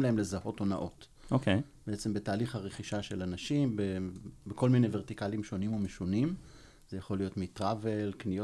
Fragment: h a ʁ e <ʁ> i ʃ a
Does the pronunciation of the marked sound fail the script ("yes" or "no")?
yes